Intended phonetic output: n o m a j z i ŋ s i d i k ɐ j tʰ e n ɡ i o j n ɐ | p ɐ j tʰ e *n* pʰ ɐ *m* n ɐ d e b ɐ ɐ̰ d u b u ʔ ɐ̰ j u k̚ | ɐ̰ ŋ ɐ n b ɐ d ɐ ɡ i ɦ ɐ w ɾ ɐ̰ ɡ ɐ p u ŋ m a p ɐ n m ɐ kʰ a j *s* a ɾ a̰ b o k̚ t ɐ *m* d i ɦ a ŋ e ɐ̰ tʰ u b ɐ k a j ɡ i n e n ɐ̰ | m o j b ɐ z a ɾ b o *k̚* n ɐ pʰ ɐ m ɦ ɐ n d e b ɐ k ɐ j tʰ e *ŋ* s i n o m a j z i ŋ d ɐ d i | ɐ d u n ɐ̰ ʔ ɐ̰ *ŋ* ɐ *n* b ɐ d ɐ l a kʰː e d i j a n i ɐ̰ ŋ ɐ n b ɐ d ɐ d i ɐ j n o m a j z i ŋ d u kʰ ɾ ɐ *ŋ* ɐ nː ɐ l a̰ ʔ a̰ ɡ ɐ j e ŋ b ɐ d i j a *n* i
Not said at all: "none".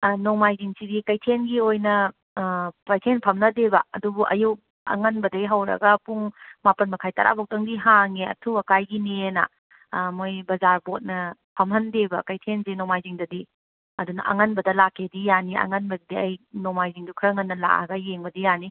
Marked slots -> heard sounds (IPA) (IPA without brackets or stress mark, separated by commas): n, m, t, ŋ, t̚, n, ŋ, n, ŋ, n